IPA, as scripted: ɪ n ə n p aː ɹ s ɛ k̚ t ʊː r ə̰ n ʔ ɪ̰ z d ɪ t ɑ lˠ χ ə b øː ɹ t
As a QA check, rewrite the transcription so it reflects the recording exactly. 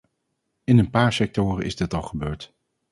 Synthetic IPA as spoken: ɪ n ə n p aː ɹ s ɛ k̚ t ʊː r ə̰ n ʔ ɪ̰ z d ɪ t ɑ lˠ χ ə b øː ɹ t